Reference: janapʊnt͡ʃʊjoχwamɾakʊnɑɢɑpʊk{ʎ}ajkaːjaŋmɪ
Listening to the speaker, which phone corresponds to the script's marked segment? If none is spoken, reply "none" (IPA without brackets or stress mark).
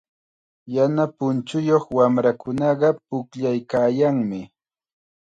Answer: ʎ